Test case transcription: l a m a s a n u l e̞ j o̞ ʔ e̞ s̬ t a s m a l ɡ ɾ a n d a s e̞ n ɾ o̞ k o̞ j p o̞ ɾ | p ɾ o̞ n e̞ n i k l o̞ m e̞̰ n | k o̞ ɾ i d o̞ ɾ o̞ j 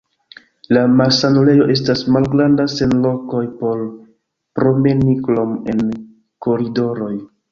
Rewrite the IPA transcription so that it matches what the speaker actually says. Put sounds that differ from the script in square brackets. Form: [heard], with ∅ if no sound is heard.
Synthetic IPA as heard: l a m a s a n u l e̞ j o̞ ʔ e̞ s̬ t a s m a l ɡ ɾ a n d a s e̞ n [l] o̞ k o̞ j p o̞ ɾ | p ɾ o̞ [m] e̞ n i k l o̞ m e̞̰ n | k o̞ ɾ i d o̞ ɾ o̞ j